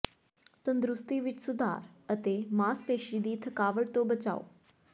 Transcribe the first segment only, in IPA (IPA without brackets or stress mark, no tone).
t̪